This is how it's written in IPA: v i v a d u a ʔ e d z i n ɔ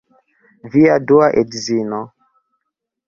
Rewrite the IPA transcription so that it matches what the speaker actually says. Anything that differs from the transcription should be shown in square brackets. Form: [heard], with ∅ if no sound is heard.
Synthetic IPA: v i [∅] a d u a ʔ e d z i n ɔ